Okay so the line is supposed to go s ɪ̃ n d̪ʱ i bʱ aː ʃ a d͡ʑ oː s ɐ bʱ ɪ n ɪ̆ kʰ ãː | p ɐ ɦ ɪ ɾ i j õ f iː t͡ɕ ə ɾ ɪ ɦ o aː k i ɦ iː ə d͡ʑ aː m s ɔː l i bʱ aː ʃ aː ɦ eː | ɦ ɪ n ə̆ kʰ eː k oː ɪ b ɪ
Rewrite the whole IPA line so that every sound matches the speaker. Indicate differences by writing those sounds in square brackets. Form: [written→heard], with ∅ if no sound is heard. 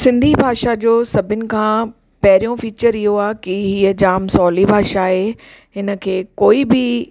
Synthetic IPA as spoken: s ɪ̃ n d̪ʱ i bʱ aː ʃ a d͡ʑ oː s ɐ bʱ ɪ n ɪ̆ kʰ ãː | p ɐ ɦ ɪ ɾ i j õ f iː t͡ɕ ə ɾ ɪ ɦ o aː k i ɦ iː ə d͡ʑ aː m s ɔː l i bʱ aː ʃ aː ɦ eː | ɦ ɪ n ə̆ kʰ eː k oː [ɪ→i] b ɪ